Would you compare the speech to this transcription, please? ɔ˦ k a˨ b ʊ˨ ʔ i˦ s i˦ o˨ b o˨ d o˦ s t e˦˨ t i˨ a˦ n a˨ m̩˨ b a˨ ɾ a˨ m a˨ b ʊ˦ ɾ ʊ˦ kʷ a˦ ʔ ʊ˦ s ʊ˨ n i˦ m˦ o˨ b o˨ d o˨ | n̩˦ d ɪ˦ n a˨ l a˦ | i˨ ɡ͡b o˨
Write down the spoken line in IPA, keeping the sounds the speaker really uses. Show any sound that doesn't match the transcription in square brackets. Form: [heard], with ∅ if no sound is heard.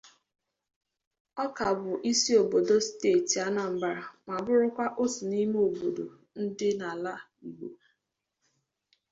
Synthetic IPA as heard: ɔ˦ k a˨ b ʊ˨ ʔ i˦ s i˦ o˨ b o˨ d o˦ s t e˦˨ t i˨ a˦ n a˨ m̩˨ b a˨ ɾ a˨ m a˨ b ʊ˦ ɾ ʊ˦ kʷ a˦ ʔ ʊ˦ s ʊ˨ n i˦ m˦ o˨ b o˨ d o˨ | n̩˦ d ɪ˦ n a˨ l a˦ | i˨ ɡ͡b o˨